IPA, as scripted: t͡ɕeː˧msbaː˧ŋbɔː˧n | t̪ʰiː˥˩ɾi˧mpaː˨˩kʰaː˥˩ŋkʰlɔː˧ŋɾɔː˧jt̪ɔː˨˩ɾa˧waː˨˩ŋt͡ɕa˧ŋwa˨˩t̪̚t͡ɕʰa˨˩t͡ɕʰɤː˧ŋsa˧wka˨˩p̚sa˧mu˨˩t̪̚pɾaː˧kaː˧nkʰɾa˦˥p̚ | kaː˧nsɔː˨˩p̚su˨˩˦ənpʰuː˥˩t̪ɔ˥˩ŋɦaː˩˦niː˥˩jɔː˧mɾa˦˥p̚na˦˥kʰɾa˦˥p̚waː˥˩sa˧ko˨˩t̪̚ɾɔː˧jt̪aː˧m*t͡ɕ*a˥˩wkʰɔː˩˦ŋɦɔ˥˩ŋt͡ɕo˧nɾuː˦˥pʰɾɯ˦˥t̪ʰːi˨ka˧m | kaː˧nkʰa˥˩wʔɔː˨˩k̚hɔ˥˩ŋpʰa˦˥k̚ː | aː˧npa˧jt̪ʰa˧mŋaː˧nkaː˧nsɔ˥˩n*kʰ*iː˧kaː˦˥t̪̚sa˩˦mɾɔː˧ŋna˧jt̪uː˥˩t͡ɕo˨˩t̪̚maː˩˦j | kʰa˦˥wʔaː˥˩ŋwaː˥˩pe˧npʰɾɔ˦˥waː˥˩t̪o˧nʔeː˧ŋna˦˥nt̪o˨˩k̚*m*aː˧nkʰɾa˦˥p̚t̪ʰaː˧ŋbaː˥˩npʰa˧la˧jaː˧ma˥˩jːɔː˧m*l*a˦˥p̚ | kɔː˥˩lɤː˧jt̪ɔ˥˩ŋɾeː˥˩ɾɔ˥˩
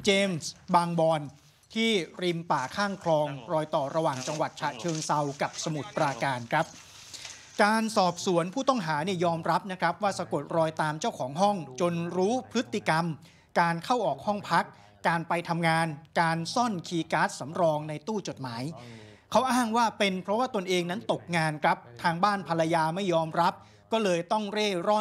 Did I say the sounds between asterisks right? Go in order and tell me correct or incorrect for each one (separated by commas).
correct, correct, incorrect, incorrect